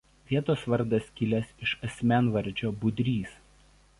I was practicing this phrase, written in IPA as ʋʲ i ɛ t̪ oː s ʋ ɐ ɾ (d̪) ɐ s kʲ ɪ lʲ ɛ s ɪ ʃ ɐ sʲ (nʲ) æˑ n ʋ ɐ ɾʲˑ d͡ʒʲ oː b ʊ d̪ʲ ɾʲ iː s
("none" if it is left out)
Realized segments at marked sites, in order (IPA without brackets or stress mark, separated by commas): d̪, mʲ